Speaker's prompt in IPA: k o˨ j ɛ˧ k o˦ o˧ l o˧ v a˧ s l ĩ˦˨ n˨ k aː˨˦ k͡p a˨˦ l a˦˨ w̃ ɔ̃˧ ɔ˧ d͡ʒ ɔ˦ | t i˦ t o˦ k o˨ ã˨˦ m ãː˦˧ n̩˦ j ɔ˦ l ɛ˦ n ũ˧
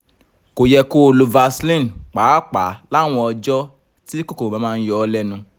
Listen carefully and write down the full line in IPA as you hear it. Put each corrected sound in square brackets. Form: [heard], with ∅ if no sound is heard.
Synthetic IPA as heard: k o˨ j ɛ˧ k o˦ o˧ l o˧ v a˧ s l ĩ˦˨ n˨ [k͡p] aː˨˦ k͡p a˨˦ l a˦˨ w̃ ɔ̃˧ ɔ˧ d͡ʒ ɔ˦ | t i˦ [k] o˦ k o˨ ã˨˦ m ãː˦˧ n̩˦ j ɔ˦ l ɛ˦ n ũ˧